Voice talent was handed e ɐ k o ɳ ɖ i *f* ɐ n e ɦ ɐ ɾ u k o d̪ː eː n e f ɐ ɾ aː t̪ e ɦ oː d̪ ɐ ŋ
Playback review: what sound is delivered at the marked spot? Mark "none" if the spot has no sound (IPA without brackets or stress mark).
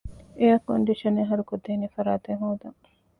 ʃ